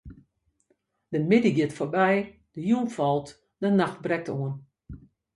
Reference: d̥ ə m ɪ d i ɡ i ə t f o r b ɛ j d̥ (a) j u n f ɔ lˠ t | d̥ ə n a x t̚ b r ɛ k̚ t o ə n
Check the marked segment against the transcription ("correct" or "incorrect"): incorrect